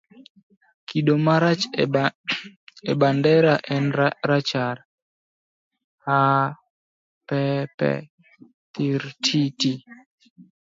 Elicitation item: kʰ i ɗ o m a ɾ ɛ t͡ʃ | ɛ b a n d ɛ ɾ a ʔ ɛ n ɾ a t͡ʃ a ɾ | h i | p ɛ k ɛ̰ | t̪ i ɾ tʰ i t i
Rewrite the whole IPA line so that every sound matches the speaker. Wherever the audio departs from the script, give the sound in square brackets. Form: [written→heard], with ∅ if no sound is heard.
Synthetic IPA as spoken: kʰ i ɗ o m a ɾ [ɛ→a] t͡ʃ | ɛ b a n d ɛ ɾ a ʔ ɛ n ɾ a t͡ʃ a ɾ | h [i→a] | p ɛ [k→p] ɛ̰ | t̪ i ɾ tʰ i t i